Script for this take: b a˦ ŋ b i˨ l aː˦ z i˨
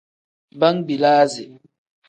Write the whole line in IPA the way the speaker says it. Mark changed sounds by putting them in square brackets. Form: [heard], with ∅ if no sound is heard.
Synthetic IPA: b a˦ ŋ b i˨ l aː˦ z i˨